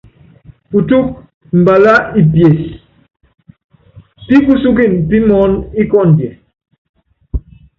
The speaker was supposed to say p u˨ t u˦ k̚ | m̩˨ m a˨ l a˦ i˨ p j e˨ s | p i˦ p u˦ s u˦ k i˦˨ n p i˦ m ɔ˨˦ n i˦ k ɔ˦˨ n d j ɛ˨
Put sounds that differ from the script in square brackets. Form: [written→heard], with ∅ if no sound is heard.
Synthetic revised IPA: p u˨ t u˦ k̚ | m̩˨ [m→b] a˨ l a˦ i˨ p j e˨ s | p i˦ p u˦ s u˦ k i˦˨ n p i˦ m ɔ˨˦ n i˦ k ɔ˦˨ n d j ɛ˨